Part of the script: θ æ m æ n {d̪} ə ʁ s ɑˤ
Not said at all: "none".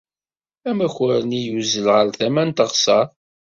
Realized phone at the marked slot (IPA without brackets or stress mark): t̪